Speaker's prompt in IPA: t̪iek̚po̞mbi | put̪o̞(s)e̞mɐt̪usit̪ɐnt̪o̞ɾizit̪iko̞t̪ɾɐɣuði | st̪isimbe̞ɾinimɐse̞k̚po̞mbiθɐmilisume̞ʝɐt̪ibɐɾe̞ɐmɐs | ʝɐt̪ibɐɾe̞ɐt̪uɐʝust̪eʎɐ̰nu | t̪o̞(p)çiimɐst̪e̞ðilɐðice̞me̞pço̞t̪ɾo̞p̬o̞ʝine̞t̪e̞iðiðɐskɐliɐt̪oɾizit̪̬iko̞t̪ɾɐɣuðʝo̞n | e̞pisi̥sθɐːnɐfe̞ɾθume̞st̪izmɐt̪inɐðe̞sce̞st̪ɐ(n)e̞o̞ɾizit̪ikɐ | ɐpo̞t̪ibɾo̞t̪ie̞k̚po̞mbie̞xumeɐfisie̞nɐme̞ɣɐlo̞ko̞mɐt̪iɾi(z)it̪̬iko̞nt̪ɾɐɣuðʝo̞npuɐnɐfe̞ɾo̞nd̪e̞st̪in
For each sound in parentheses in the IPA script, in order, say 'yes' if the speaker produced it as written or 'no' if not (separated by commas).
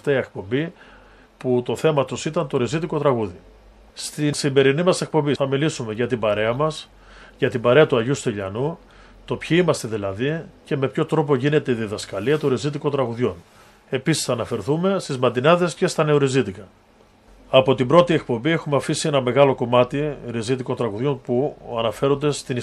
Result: no, yes, yes, yes